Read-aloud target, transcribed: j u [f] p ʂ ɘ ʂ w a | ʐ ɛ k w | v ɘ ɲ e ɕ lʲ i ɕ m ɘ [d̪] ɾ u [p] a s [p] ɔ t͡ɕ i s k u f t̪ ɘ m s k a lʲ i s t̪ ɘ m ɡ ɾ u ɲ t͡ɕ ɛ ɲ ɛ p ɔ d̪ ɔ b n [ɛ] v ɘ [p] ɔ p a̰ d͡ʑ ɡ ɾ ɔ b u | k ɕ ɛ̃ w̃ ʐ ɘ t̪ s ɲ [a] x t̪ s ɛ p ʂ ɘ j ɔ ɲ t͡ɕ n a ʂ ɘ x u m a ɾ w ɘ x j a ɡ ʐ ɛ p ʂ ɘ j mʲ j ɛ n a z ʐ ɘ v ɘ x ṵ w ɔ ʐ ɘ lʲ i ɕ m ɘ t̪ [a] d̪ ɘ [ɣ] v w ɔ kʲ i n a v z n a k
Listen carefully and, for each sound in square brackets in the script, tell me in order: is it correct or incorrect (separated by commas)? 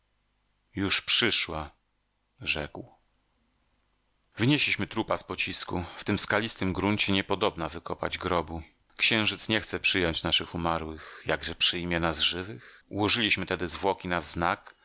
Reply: incorrect, incorrect, correct, correct, incorrect, incorrect, incorrect, incorrect, incorrect